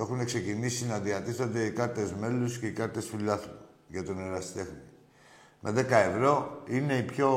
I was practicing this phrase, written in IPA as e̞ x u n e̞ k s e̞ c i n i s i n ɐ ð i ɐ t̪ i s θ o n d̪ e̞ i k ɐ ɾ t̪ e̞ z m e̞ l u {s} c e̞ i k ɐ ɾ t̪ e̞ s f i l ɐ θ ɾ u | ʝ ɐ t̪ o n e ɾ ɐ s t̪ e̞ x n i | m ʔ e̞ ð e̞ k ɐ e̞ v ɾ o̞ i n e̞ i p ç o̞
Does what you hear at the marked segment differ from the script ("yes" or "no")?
no